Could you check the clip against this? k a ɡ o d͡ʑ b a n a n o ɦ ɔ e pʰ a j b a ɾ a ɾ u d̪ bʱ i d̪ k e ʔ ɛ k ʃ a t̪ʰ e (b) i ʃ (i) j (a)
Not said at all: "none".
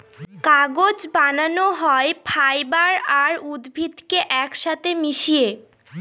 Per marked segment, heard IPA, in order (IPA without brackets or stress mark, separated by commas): m, i, e